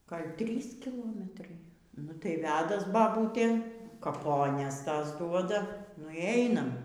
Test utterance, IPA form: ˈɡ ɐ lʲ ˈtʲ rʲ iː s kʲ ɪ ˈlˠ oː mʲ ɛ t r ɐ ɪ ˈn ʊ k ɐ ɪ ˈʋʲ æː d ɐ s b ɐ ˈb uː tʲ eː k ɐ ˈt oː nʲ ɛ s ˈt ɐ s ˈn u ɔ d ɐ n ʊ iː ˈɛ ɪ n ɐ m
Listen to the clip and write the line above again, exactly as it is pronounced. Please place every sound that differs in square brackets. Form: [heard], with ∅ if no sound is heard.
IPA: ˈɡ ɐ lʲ ˈtʲ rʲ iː s kʲ ɪ ˈlˠ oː mʲ ɛ t r ɐ ɪ ˈn ʊ [t] ɐ ɪ ˈʋʲ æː d ɐ s b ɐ ˈb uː tʲ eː k ɐ [ˈp] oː nʲ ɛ s ˈt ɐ s [ˈd] u ɔ d ɐ n ʊ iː ˈɛ ɪ n ɐ m